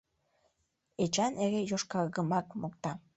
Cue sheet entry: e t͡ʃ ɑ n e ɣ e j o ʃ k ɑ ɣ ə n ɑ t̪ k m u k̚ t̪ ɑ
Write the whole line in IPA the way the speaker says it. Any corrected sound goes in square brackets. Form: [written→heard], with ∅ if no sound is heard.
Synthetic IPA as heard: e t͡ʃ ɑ n e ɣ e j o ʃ k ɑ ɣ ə [n→m] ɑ [t̪→∅] k m [u→o] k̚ t̪ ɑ